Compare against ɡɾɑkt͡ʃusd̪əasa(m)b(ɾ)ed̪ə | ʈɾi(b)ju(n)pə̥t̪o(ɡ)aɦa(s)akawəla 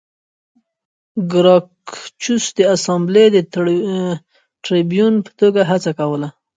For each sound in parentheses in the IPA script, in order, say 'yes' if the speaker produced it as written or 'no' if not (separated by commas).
yes, no, yes, yes, yes, no